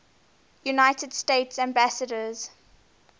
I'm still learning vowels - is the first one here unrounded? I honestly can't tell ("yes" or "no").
no